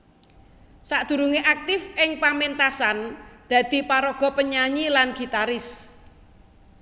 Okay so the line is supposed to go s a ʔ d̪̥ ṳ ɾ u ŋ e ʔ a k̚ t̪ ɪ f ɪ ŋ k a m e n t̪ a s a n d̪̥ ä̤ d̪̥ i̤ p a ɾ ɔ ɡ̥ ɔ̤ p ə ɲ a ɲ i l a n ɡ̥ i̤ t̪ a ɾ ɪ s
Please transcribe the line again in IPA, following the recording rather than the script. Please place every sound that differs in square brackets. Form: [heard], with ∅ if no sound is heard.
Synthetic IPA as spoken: s a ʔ d̪̥ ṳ ɾ u ŋ e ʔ a k̚ t̪ ɪ f ɪ ŋ [p] a m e n t̪ a s a n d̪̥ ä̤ d̪̥ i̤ p a ɾ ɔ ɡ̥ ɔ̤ p ə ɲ a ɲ i l a n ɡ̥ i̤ t̪ a ɾ ɪ s